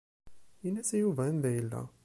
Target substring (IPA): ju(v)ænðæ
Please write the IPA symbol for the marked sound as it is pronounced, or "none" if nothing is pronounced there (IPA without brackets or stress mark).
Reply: v